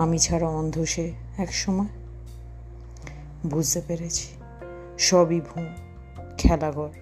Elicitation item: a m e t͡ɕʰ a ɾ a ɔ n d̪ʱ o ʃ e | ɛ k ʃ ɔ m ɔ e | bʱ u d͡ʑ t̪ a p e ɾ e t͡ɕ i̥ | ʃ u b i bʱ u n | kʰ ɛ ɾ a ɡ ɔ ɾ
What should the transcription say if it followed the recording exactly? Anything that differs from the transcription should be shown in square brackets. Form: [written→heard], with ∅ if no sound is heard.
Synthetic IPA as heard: a m [e→i] t͡ɕʰ a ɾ a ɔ n d̪ʱ o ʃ e | ɛ k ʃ ɔ m ɔ e | bʱ u d͡ʑ t̪ [a→e] p e ɾ e [t͡ɕ→t͡ɕʰ] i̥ | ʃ [u→ɔ] b i bʱ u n | kʰ ɛ [ɾ→l] a ɡ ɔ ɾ